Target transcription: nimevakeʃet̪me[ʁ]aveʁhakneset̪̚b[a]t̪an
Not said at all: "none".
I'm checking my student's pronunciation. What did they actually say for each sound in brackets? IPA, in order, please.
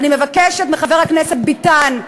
χ, i

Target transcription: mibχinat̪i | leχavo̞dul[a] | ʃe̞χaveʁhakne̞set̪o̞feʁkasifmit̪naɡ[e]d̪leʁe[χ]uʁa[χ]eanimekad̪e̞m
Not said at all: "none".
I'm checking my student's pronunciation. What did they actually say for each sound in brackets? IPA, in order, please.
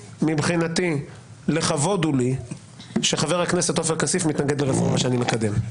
i, e, f, ʃ

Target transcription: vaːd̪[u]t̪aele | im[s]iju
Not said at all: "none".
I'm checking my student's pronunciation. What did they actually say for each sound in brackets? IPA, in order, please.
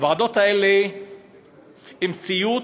o, s

